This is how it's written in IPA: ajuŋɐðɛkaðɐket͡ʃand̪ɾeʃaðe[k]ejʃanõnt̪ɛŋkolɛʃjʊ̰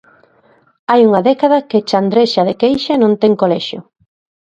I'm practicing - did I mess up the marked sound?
no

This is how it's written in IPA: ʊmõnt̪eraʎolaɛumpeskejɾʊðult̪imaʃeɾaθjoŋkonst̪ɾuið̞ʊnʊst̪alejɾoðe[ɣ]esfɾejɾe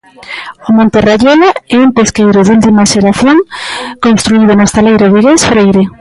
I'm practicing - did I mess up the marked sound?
no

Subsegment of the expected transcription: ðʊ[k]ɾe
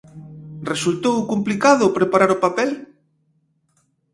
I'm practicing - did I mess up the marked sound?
yes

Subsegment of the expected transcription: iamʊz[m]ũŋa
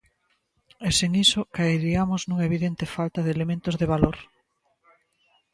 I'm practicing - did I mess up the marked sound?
yes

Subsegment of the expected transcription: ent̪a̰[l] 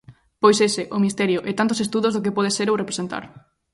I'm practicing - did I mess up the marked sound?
yes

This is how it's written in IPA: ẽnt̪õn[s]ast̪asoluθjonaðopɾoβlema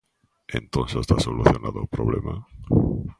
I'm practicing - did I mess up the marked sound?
no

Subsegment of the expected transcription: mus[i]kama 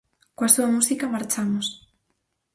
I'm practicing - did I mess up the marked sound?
no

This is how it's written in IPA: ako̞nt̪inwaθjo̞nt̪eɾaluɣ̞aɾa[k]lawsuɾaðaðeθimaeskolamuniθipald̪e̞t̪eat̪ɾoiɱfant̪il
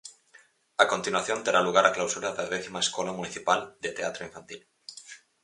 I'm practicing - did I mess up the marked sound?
no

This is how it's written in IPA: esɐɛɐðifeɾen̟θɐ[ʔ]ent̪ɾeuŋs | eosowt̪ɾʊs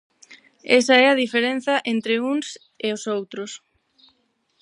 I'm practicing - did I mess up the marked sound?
no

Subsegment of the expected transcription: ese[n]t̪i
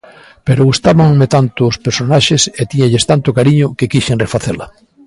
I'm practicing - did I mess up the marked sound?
yes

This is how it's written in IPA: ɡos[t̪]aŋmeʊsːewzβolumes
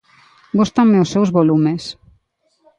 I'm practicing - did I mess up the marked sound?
no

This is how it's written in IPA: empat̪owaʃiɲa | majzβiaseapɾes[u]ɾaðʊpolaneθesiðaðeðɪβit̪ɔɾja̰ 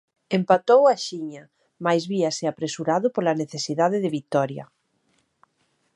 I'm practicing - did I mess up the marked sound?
no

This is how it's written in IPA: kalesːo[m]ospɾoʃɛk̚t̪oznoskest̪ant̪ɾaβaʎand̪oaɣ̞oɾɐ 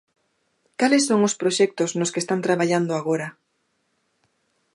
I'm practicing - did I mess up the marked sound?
yes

